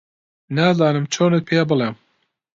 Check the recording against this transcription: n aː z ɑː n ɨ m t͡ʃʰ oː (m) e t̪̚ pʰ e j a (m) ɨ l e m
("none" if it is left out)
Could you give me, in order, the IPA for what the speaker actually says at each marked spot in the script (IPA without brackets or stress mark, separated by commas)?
n, b